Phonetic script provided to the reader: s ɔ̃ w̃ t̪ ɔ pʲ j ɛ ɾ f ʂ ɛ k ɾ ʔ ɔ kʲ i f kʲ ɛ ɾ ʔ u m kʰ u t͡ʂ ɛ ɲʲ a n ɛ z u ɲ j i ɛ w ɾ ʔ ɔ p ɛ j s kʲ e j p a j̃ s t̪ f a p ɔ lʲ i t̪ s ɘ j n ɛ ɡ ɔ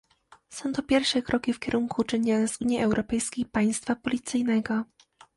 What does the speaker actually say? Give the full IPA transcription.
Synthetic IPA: s ɔ̃ w̃ t̪ ɔ pʲ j ɛ ɾ f ʂ ɛ k ɾ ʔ ɔ kʲ i f kʲ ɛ ɾ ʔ u ŋ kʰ u t͡ʂ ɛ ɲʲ a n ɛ z u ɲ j i ɛ w ɾ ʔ ɔ p ɛ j s kʲ e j p a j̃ s t̪ f a p ɔ lʲ i t̪ s ɘ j n ɛ ɡ ɔ